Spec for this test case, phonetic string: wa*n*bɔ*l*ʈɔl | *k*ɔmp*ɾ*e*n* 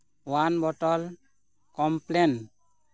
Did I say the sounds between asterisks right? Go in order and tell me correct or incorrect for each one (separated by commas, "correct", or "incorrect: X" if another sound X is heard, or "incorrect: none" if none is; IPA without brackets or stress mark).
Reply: correct, incorrect: none, correct, incorrect: l, correct